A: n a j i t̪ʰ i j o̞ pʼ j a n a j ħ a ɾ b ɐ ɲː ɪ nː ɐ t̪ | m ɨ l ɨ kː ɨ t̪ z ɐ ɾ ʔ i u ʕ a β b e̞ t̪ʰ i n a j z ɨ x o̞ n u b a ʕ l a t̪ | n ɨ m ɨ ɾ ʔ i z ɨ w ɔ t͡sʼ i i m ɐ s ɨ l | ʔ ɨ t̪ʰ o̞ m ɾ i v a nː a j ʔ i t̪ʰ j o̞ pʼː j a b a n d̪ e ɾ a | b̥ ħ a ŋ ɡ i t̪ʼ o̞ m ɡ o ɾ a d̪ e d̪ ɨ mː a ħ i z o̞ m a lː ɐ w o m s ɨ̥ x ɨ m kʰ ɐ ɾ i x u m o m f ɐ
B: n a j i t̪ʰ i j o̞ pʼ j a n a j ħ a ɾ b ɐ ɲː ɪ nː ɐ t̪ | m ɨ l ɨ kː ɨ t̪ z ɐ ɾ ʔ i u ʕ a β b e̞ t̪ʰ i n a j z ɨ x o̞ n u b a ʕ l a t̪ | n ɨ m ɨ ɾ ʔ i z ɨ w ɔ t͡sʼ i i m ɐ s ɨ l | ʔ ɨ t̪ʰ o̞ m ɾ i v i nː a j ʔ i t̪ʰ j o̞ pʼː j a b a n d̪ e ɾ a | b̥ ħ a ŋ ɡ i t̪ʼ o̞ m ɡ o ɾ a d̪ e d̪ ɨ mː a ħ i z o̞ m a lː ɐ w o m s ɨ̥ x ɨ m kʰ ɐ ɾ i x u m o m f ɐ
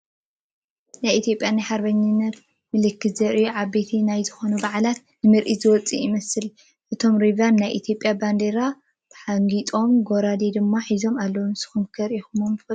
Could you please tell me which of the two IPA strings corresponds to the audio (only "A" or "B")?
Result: A